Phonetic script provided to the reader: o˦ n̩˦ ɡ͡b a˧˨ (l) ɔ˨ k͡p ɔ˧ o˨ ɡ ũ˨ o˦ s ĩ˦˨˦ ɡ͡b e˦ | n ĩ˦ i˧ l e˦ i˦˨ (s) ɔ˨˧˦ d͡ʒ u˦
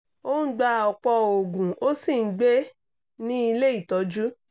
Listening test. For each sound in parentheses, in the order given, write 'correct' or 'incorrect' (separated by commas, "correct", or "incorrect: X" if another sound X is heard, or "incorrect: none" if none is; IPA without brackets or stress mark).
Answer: incorrect: none, incorrect: t